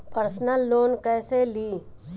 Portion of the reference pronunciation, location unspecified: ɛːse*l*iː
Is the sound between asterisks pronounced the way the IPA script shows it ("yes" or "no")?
yes